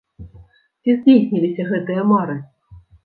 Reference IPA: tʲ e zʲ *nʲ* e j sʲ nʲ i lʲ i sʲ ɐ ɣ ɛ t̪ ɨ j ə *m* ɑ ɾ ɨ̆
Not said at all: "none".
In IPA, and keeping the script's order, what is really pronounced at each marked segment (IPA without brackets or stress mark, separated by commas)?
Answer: dʲ, m